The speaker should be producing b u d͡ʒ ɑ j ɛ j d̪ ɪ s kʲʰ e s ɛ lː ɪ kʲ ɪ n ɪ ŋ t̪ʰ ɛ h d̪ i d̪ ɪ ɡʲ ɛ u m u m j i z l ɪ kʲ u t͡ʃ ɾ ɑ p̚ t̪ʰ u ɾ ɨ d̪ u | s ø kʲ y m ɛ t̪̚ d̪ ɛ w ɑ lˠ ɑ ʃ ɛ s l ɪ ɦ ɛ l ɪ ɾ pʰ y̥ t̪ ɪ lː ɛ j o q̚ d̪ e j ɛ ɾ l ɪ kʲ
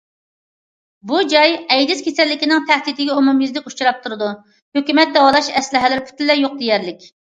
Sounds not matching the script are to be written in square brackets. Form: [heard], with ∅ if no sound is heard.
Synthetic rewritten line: b u d͡ʒ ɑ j ɛ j d̪ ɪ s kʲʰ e s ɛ lː ɪ kʲ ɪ n ɪ ŋ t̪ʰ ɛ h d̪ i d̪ ɪ ɡʲ ɛ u m u m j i z l ɪ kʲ u t͡ʃ ɾ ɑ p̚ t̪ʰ u ɾ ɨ d̪ u | [h] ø kʲ y m ɛ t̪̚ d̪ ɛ w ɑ lˠ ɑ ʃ ɛ s l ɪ ɦ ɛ l ɪ ɾ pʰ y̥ t̪ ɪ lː ɛ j o q̚ d̪ e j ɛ ɾ l ɪ kʲ